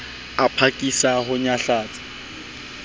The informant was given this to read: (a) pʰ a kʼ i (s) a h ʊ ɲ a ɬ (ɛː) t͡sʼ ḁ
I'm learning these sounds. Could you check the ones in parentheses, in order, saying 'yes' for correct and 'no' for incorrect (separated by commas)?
yes, yes, no